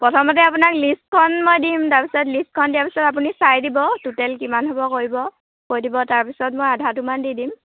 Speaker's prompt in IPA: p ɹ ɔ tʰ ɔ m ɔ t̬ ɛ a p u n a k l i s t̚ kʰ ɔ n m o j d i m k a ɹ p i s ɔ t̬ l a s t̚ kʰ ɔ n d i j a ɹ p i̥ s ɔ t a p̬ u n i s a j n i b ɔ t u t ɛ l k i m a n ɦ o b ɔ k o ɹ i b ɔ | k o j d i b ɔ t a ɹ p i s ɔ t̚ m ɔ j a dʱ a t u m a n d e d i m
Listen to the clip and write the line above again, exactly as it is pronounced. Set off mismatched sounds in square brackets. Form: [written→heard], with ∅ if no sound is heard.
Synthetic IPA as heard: p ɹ ɔ tʰ ɔ m ɔ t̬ ɛ a p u n a k l i s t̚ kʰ ɔ n m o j d i m [k→t] a ɹ p i s ɔ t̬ l [a→i] s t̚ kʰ ɔ n d i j a ɹ p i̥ s ɔ t a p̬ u n i s a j [n→d] i b ɔ t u t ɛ l k i m a n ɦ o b ɔ k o ɹ i b ɔ | k o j d i b ɔ t a ɹ p i s ɔ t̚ m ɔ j a dʱ a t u m a n d [e→i] d i m